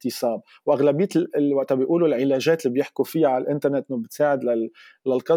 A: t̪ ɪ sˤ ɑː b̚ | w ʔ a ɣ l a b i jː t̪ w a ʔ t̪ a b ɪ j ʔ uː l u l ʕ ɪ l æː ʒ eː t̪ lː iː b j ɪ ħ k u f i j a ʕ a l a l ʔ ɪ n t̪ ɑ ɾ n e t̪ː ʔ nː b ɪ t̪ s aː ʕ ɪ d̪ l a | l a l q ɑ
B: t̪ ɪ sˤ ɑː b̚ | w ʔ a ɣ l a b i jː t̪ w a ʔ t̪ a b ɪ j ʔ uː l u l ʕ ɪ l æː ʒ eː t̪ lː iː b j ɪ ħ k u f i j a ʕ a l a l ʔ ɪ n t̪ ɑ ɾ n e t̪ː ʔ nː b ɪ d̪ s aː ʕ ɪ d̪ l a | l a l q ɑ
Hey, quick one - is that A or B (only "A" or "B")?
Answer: A